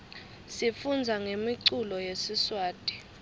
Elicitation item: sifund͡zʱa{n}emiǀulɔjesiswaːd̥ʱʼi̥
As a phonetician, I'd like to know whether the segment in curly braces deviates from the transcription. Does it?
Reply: yes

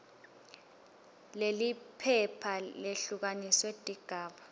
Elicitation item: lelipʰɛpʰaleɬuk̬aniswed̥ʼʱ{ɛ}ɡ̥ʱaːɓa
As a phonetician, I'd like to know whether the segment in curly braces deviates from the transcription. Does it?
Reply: yes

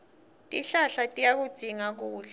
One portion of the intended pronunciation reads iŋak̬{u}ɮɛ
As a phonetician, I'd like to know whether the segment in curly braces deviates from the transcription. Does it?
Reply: yes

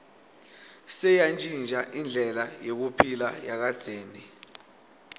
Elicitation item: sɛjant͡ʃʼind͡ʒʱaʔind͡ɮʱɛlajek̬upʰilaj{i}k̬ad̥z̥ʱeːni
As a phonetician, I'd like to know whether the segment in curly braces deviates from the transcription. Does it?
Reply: yes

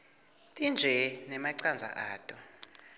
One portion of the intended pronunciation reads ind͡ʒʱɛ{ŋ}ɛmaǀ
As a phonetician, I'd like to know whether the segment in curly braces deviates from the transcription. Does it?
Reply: yes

